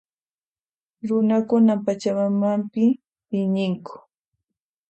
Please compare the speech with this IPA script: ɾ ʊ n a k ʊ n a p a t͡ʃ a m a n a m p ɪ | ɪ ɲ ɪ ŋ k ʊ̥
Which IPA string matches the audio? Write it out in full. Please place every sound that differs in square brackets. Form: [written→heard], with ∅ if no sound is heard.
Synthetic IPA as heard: ɾ ʊ n a k ʊ n a p a t͡ʃ a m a [n→m] a m p ɪ | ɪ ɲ ɪ ŋ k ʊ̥